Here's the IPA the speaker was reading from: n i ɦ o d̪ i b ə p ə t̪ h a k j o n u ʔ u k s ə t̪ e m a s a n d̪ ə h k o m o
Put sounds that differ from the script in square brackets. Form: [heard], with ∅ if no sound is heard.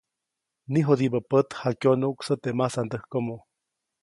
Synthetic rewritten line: n i ɦ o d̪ i b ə p ə t̪ h a k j o n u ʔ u k s ə t̪ e m a s a n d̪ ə h k o m o